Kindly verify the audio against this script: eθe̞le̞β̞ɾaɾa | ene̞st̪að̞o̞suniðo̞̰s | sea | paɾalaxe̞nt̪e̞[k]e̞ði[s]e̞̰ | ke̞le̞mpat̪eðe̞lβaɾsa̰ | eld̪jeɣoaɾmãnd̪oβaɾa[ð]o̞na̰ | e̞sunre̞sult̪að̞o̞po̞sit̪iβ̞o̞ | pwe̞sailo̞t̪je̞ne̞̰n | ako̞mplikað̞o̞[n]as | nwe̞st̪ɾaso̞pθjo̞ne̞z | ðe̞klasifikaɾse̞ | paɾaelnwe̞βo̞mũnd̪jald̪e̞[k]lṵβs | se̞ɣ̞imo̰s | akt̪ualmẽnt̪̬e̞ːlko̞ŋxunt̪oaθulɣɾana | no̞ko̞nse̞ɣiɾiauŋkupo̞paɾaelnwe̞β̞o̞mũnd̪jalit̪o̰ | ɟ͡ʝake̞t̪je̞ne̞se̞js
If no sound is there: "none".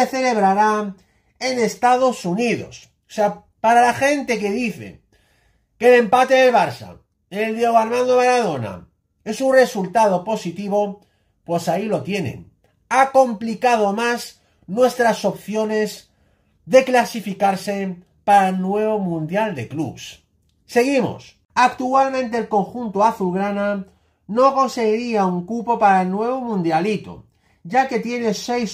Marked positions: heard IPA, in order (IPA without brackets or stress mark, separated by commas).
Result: k, θ, ð, m, k